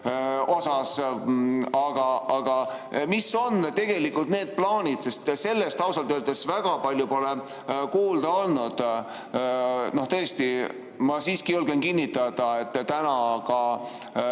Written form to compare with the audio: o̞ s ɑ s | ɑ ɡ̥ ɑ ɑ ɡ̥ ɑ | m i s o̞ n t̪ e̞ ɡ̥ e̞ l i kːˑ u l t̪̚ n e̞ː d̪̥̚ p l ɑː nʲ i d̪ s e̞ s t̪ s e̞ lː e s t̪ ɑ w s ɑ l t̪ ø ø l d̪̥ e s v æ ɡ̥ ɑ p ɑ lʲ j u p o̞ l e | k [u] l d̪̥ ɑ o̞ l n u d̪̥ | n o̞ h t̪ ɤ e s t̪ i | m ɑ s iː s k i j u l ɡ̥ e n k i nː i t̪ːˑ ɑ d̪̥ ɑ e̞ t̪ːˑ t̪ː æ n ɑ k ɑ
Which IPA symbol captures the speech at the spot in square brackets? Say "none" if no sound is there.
uː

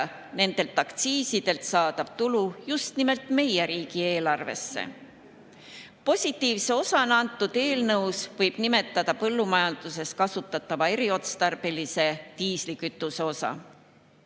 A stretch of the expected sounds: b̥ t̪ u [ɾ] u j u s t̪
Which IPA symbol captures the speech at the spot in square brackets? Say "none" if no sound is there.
l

